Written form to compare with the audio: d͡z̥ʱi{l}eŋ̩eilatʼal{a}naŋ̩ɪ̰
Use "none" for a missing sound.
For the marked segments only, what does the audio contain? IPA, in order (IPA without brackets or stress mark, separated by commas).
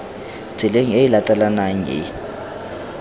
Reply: l, a